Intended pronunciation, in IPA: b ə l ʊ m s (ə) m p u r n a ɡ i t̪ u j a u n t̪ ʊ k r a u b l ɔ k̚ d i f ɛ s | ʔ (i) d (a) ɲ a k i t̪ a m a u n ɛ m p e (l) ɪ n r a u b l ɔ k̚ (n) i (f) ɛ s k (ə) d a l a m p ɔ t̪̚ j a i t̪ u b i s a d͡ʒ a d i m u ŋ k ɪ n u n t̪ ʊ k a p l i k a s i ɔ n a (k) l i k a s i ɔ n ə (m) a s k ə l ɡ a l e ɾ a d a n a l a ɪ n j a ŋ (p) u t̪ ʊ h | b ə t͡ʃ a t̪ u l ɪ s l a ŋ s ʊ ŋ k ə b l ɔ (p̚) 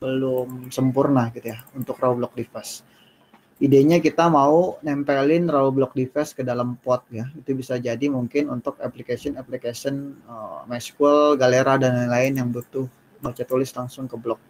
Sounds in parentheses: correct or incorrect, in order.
correct, correct, incorrect: e, correct, incorrect: d, correct, correct, incorrect: p, correct, incorrect: b, incorrect: k̚

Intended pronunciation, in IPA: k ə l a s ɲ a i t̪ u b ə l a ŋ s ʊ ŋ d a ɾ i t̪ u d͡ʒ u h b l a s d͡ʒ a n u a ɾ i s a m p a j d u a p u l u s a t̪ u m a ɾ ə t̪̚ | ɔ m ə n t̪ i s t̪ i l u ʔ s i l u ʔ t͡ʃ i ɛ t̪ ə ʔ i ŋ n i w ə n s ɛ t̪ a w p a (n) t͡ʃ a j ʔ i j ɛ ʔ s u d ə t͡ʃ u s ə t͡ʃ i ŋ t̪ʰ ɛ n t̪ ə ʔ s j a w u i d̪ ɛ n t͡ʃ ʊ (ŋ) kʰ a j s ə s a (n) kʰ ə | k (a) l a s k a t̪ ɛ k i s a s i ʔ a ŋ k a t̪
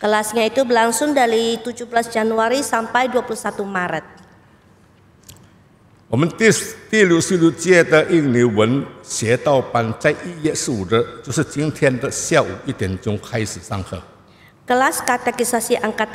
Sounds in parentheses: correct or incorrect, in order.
correct, correct, incorrect: ŋ, incorrect: ə

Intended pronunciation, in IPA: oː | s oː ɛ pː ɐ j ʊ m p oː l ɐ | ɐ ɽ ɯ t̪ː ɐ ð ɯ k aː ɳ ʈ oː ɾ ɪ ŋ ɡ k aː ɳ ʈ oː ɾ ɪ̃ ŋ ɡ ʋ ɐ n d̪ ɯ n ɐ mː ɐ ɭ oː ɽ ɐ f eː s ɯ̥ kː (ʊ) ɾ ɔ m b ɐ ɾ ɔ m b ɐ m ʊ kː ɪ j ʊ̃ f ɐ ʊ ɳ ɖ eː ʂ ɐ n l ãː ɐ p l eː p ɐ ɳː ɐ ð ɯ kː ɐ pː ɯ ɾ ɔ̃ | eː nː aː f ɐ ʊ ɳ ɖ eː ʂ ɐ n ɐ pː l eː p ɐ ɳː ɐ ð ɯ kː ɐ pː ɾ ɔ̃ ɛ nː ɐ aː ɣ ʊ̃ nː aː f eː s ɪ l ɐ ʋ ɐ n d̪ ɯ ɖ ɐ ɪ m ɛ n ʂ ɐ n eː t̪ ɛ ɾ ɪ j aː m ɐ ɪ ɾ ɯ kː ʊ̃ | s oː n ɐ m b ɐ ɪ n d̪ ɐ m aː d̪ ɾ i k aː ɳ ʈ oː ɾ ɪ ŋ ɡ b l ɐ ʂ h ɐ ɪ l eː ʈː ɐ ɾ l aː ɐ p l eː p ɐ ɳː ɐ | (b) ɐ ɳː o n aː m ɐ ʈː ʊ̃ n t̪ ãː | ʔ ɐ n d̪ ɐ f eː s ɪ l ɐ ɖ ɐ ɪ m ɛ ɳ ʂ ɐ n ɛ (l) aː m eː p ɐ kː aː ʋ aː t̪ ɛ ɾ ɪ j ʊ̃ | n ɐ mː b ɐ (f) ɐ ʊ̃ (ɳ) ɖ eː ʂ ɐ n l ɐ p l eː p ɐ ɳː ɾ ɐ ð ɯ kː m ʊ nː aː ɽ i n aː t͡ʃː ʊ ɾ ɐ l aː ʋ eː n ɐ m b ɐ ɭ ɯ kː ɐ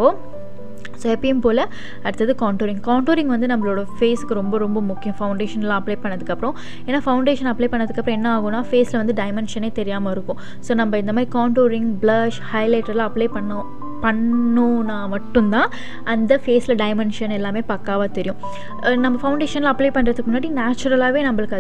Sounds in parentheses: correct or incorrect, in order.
incorrect: ɯ, incorrect: p, incorrect: lː, correct, correct

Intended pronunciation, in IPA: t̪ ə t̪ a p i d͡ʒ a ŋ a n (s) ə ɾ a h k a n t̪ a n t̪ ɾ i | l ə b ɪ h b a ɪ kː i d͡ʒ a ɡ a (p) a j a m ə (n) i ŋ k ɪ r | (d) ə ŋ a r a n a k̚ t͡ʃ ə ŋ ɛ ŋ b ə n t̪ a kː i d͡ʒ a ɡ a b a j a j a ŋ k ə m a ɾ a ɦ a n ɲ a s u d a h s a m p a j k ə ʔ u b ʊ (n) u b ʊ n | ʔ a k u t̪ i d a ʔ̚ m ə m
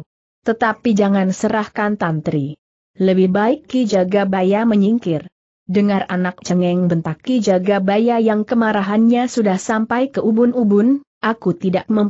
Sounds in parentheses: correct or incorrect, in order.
correct, incorrect: b, incorrect: ɲ, correct, correct

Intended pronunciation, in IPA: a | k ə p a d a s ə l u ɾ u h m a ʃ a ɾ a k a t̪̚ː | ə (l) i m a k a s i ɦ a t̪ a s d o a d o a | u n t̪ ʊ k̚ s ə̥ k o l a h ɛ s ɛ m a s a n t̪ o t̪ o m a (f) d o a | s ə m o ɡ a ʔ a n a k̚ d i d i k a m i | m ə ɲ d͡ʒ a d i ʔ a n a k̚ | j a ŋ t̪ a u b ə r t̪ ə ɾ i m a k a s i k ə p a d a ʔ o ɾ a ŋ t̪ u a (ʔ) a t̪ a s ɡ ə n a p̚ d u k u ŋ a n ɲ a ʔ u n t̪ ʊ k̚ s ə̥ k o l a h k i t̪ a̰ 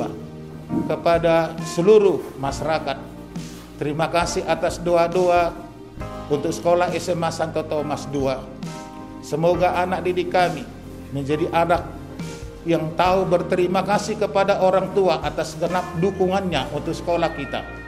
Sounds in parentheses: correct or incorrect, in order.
incorrect: ɾ, incorrect: s, correct

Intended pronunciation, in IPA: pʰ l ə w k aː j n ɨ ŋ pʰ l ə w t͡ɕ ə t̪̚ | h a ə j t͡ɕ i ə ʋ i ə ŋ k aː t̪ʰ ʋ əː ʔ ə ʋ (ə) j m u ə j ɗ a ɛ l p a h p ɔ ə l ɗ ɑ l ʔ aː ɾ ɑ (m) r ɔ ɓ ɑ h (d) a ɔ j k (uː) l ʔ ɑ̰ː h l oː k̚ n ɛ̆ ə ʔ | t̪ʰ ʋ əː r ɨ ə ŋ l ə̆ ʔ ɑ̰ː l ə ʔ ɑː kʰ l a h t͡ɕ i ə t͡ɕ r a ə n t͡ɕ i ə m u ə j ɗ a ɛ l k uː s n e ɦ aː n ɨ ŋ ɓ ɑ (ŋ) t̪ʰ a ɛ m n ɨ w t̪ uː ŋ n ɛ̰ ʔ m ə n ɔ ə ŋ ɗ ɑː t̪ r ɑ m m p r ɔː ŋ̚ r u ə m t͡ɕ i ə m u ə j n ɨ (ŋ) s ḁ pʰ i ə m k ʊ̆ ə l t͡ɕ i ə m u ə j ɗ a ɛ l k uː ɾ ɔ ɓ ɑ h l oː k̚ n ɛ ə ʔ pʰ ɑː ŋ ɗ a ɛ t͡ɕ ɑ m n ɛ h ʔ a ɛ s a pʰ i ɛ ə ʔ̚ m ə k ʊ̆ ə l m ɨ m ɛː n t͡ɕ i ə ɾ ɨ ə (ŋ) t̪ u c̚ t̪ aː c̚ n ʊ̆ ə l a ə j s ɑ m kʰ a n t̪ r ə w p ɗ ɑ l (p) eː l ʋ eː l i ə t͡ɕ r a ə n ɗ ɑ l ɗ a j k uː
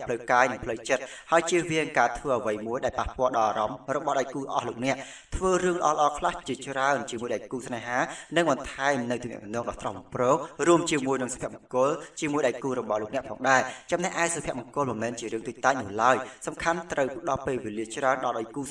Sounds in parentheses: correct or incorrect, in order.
correct, correct, incorrect: ɗ, correct, incorrect: n, correct, correct, correct

